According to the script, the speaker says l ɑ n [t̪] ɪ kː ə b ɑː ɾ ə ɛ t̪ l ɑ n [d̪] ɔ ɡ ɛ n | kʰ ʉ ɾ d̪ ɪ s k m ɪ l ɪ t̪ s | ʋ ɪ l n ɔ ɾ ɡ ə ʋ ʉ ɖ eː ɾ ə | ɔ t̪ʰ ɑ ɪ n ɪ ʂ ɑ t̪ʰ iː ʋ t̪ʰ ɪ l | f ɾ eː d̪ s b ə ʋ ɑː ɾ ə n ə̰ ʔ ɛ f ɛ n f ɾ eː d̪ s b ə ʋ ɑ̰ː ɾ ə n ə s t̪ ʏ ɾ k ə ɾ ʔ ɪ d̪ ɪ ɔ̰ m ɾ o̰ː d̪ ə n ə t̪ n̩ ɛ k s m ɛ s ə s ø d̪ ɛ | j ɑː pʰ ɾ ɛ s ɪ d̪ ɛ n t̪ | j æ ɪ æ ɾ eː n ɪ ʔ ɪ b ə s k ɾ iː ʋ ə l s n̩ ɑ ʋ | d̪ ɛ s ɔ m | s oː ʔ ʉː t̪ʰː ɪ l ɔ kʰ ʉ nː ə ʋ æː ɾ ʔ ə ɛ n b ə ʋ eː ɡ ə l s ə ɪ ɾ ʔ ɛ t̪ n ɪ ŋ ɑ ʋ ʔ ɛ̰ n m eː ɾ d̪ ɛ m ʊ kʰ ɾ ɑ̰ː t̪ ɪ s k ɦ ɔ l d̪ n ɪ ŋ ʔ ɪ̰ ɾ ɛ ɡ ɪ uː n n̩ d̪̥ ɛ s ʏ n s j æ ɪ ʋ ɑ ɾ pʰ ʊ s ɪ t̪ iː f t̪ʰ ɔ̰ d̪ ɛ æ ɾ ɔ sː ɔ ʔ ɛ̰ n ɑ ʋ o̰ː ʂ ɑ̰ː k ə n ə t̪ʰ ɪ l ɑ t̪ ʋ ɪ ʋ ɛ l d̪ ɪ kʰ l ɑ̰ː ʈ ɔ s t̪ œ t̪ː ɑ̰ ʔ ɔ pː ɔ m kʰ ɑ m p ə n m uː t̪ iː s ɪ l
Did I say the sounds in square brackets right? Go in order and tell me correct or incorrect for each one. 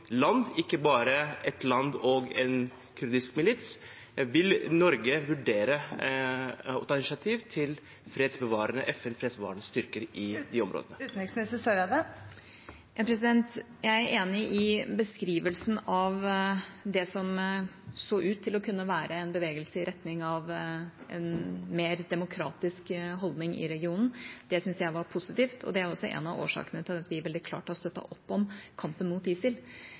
incorrect: d̪, correct

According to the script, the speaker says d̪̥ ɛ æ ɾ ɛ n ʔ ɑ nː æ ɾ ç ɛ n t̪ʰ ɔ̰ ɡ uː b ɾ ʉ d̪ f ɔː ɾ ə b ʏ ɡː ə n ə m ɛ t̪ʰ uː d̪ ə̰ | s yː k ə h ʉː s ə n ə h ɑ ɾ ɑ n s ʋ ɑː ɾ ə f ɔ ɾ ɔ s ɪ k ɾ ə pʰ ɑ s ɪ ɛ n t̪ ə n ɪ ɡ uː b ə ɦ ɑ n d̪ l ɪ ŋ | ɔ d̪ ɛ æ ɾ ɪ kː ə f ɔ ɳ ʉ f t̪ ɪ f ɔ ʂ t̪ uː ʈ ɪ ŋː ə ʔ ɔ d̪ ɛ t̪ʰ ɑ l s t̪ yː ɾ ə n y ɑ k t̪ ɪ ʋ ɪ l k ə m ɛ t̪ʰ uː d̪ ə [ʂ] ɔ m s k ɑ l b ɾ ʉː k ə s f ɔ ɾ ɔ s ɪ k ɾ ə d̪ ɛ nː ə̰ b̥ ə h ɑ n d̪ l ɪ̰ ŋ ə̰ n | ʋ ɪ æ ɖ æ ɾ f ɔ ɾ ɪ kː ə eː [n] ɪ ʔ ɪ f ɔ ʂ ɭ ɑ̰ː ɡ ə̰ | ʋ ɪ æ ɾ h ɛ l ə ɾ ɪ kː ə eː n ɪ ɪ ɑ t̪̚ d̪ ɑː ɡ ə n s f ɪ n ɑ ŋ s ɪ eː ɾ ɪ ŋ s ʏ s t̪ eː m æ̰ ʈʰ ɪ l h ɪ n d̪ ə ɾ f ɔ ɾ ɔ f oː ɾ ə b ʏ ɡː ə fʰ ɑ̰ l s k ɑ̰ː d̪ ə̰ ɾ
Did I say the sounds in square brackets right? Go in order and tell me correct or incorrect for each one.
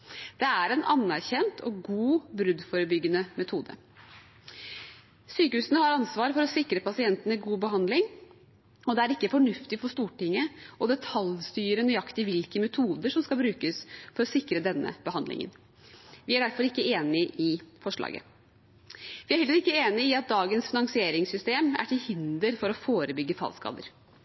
correct, correct

